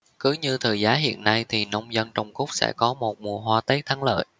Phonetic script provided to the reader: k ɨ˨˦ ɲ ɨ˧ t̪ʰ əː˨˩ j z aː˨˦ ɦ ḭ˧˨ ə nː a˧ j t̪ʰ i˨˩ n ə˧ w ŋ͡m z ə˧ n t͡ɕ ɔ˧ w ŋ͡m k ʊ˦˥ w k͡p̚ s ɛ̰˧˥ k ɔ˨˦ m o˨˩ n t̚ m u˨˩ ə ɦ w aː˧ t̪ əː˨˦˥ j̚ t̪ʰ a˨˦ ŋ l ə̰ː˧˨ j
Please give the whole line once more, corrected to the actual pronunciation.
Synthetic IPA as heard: k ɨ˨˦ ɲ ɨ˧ t̪ʰ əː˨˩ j z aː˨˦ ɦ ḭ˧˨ ə nː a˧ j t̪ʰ i˨˩ n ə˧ w ŋ͡m z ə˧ n t͡ɕ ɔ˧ w ŋ͡m k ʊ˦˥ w k͡p̚ s ɛ̰˧˥ k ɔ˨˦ m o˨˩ t̚ m u˨˩ ə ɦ w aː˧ t̪ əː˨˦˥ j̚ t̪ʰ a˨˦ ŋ l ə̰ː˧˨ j

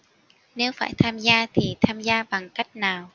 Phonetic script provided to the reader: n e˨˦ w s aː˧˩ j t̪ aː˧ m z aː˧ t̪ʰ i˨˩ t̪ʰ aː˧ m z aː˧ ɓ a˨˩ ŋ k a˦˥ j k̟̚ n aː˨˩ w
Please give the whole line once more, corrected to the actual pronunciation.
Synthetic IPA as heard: n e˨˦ w f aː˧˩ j t̪ʰ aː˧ m z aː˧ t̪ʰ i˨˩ t̪ʰ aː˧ m z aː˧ ɓ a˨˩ ŋ k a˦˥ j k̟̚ n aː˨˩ w

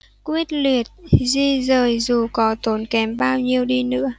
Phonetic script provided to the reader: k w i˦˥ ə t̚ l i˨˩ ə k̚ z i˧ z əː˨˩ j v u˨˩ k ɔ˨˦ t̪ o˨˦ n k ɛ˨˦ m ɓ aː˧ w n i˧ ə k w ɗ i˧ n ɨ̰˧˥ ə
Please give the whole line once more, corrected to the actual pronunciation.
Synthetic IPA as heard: k w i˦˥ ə t̚ l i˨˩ ə t̚ z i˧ z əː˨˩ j z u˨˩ k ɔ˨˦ t̪ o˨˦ n k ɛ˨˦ m ɓ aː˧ w ɲ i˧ ə w ɗ i˧ n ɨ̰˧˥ ə

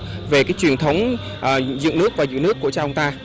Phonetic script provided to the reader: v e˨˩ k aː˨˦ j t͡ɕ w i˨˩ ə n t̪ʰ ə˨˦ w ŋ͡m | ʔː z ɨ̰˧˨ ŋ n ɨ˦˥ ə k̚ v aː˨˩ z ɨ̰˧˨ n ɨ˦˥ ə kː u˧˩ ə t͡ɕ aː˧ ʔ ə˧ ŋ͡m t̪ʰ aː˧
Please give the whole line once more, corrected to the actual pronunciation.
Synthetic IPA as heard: v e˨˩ k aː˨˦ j t͡ɕ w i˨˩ ə n t̪ʰ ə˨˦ w ŋ͡m | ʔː z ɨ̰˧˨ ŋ n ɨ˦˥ ə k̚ v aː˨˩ z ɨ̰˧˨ n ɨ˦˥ ə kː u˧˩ ə t͡ɕ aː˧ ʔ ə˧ ŋ͡m t̪ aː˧

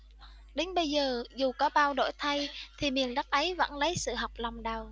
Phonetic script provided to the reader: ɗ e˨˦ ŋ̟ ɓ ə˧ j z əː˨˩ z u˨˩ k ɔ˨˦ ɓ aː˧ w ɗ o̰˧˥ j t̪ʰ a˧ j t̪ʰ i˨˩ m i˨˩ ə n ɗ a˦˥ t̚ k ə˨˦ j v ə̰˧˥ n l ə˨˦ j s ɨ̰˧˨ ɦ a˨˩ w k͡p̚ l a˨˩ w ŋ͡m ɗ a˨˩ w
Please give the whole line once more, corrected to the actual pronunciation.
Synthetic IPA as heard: ɗ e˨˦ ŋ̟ ɓ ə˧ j z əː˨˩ z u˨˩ k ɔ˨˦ ɓ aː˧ w ɗ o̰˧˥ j t̪ʰ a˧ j t̪ʰ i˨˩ m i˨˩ ə n ɗ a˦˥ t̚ ʔ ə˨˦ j v ə̰˧˥ n l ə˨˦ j s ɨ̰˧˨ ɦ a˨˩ w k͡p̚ l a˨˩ w ŋ͡m ɗ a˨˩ w

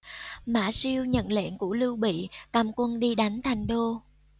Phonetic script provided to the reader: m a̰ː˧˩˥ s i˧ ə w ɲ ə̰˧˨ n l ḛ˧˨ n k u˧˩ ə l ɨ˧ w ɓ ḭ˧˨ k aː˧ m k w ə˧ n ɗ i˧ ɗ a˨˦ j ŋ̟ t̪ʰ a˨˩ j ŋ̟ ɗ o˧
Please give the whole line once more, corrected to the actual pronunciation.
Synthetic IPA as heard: m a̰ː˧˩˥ s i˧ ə w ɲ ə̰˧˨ n l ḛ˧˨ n k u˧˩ ə l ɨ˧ w ɓ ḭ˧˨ k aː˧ m k w ə˧ n ɗ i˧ ɗ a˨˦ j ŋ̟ t̪ʰ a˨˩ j ŋ̟ ɗ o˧

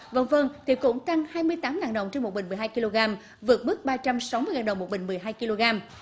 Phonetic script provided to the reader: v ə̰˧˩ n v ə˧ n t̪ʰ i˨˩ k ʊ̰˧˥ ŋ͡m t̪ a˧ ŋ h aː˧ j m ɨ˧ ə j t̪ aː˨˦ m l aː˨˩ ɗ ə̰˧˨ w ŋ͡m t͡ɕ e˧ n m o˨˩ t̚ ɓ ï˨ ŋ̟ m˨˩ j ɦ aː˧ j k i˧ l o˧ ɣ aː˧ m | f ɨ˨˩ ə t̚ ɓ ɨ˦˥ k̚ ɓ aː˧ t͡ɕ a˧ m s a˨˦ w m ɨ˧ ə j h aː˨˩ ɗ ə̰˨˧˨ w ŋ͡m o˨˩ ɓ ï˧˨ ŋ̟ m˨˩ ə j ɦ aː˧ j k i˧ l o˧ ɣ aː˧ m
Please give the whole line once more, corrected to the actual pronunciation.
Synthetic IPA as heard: v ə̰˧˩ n v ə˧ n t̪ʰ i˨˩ k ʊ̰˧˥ ŋ͡m t̪ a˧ ŋ h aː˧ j m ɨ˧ ə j t̪ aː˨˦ m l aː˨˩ ɗ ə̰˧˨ w ŋ͡m t͡ɕ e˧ n m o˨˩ t̚ ɓ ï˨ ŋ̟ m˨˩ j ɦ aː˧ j k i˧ l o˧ ɣ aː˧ m | v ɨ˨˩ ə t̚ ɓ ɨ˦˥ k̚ ɓ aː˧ t͡ɕ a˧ m s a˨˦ w m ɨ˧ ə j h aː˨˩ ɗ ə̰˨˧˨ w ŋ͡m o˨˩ ɓ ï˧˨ ŋ̟ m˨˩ ə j ɦ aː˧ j k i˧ l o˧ ɣ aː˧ m

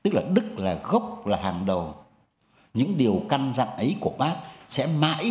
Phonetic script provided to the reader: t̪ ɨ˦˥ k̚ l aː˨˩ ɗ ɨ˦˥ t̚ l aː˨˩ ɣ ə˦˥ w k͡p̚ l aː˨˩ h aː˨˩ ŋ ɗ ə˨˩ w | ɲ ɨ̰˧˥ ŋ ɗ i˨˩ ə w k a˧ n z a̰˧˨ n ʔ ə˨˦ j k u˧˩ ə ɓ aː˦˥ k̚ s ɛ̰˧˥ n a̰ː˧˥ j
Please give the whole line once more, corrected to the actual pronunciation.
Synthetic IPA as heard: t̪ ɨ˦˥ k̚ l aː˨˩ ɗ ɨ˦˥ k̚ l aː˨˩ ɣ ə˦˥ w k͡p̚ l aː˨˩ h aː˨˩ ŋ ɗ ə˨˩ w | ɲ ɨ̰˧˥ ŋ ɗ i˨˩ ə w k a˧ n z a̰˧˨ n ʔ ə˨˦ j k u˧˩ ə ɓ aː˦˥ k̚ s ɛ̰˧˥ m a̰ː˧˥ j

